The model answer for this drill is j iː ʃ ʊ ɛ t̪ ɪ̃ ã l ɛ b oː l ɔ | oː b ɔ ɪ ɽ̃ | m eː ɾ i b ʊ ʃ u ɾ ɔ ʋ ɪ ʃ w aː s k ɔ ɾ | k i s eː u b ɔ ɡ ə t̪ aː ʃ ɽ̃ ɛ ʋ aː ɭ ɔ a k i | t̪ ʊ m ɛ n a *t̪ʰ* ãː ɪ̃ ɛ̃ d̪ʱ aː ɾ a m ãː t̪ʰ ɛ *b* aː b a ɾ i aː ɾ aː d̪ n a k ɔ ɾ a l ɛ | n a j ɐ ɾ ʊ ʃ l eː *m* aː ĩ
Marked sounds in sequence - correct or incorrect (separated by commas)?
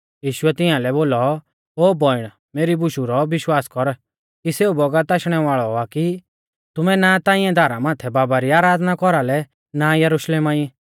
incorrect, correct, correct